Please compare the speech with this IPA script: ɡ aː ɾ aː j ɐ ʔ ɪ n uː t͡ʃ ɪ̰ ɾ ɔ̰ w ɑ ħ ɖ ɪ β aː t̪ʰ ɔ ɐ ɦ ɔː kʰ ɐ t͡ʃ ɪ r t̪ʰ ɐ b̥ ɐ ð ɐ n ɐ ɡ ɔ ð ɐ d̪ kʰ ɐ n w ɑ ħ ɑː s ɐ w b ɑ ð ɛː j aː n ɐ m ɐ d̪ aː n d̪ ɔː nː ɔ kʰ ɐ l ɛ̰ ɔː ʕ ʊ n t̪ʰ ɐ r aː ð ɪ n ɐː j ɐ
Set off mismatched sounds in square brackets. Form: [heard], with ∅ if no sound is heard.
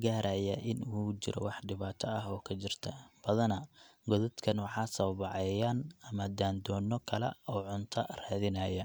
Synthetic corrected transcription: ɡ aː ɾ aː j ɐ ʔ ɪ n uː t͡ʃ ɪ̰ ɾ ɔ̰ w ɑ ħ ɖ ɪ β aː t̪ʰ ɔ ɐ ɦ ɔː kʰ ɐ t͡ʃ ɪ r t̪ʰ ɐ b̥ ɐ ð ɐ n ɐ ɡ ɔ ð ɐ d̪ kʰ ɐ n w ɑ ħ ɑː s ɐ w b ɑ [ʕ] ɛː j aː n ɐ m ɐ d̪ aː n d̪ ɔː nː ɔ kʰ ɐ l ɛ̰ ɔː ʕ ʊ n t̪ʰ ɐ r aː ð ɪ n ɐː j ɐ